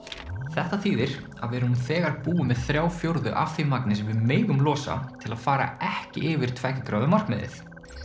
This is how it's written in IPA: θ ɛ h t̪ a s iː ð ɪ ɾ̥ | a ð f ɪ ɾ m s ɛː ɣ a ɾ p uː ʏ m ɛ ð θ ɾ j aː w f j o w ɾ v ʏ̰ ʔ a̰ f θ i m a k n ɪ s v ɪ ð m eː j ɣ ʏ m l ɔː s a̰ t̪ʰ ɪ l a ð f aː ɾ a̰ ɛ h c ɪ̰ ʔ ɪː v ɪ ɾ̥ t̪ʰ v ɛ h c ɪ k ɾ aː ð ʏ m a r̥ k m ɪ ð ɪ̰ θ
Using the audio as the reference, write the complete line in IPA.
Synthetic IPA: θ ɛ h t̪ a θ iː ð ɪ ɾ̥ | a ð v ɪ ɾ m θ ɛː ɣ a ɾ p uː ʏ m ɛ ð θ ɾ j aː w f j o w ɾ ð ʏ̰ ʔ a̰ f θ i m a k n ɪ s v ɪ ð m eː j ɣ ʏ m l ɔː s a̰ t̪ʰ ɪ l a ð f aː ɾ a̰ ɛ h c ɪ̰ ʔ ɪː v ɪ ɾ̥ t̪ʰ v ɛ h c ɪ k ɾ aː ð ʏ m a r̥ k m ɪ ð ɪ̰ θ